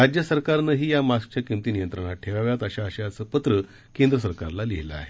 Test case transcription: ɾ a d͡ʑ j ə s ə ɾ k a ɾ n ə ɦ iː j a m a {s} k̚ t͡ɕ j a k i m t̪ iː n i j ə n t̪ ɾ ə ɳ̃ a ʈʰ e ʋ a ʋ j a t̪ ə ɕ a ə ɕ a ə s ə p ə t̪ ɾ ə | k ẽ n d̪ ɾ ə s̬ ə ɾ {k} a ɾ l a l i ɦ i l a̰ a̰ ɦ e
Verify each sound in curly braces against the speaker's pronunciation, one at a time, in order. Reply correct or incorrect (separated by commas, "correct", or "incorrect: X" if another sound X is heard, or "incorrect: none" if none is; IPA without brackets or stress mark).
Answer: correct, correct